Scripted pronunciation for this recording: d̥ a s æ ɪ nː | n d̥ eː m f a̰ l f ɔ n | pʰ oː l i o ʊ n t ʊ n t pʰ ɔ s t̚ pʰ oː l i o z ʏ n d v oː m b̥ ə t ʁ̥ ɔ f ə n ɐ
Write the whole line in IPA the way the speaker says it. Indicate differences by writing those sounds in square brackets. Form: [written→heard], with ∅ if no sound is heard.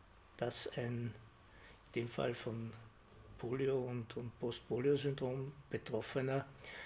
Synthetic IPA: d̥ a s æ ɪ [nː→n] | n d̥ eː m f a̰ l f ɔ n | pʰ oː l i o ʊ n t ʊ n t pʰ ɔ s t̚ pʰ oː l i o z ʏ n d [v→ʁ] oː m b̥ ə t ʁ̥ ɔ f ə n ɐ